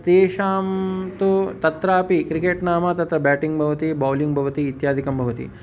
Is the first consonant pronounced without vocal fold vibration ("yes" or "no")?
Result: yes